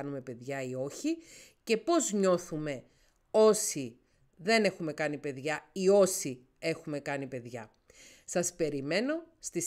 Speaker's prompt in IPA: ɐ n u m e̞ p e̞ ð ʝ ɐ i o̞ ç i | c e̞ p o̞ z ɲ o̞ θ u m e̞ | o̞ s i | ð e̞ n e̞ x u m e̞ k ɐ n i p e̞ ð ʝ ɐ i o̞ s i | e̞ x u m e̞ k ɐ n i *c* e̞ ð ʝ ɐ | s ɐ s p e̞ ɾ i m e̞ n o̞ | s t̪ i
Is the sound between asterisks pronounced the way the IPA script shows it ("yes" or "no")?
no